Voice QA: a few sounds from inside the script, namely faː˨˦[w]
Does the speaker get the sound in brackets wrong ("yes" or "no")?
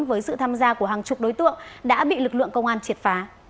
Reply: yes